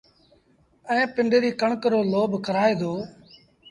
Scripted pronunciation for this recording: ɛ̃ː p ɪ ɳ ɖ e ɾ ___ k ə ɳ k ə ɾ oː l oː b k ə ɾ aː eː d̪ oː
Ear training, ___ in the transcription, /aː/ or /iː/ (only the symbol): iː